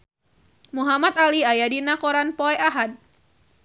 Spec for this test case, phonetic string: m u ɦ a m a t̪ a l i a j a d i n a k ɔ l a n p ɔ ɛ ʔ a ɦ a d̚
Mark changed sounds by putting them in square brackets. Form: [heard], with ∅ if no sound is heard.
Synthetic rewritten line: m u ɦ a m a t̪ a l i a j a d i n a k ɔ [ɾ] a n p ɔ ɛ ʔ a ɦ a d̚